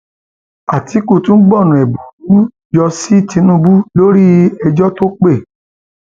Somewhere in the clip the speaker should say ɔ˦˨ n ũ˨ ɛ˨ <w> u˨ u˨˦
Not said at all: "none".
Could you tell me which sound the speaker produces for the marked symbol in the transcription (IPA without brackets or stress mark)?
b